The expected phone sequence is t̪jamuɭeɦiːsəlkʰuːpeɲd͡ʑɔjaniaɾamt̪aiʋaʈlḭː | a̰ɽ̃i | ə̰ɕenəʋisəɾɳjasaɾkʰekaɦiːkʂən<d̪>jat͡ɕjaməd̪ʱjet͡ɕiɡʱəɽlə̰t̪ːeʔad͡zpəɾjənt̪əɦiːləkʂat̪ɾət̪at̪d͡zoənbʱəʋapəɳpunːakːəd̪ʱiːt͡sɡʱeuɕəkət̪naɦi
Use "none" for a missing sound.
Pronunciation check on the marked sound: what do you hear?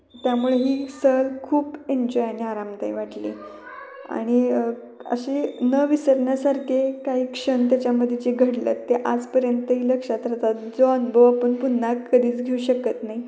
t̪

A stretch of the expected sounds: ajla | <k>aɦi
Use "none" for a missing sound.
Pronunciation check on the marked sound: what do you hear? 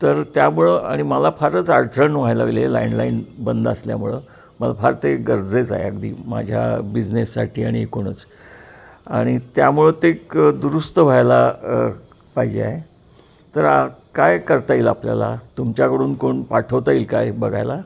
p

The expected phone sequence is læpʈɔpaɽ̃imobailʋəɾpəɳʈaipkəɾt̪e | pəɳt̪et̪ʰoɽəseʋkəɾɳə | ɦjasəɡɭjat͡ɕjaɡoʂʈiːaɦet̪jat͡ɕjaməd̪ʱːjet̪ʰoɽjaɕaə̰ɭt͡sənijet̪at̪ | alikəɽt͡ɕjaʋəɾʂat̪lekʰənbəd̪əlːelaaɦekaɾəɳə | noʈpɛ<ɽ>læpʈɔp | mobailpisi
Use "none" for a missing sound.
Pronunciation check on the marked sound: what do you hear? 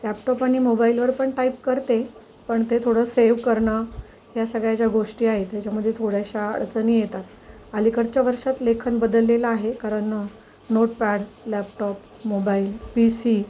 ɽ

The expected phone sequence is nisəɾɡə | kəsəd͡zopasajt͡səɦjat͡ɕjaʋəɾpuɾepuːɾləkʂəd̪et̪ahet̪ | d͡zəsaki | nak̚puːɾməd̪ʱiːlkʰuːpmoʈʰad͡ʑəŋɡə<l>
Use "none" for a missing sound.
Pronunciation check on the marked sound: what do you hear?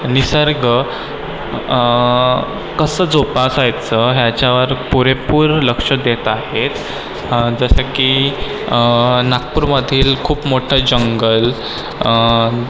l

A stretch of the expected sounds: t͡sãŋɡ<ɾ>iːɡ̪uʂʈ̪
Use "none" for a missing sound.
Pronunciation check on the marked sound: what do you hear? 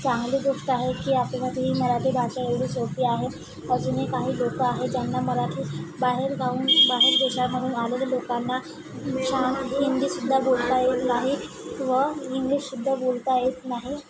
l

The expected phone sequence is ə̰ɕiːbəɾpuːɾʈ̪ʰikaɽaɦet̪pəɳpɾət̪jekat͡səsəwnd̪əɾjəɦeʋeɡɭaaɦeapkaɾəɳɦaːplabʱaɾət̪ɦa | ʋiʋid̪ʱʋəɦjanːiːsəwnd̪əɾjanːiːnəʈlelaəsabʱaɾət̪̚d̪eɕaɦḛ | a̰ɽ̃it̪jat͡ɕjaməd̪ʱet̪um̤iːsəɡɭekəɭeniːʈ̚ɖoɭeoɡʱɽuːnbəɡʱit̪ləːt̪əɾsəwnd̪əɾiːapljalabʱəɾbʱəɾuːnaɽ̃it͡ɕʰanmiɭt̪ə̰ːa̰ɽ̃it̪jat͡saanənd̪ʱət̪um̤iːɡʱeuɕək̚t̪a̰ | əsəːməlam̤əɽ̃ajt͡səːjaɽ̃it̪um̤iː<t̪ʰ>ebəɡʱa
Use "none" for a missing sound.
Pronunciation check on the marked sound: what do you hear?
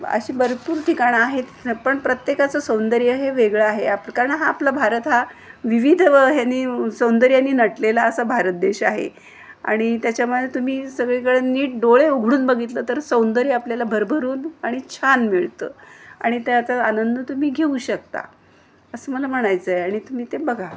t̪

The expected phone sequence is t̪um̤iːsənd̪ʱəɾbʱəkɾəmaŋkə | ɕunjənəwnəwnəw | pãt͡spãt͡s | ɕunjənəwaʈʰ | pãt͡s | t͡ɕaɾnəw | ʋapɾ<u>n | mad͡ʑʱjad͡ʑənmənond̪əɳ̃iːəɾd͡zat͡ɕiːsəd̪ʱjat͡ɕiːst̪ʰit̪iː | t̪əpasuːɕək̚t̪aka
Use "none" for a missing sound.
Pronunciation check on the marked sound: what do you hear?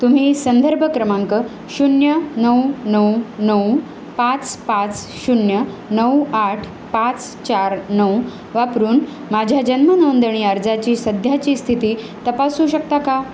uː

